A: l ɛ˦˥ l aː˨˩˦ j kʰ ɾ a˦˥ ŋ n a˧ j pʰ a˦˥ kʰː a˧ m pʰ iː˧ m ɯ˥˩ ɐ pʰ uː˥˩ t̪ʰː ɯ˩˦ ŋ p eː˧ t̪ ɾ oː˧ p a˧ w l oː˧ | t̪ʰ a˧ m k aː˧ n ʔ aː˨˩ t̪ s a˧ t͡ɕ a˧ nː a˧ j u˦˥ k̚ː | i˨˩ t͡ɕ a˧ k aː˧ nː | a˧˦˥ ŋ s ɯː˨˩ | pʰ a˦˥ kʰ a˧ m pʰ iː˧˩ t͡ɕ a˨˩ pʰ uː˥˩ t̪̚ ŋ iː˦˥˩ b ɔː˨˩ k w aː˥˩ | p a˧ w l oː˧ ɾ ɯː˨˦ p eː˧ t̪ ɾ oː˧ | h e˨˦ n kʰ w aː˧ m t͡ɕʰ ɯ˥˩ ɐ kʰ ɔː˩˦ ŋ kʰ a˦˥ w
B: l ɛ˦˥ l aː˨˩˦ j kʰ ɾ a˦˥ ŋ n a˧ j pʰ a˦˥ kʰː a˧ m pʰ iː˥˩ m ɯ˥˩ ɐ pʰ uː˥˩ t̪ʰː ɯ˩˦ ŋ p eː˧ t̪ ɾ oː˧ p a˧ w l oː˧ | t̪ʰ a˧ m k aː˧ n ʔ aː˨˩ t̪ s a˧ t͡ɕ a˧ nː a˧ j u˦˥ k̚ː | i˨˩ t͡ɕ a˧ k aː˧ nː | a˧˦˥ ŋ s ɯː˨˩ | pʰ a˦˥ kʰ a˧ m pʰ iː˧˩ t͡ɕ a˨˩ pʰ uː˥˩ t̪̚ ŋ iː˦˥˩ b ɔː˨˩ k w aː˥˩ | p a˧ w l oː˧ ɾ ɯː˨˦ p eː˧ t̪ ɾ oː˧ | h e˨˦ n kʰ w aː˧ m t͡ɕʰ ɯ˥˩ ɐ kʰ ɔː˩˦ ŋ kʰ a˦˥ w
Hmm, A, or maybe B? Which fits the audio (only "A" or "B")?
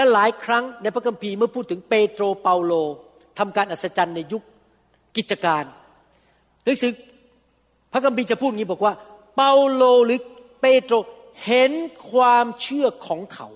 A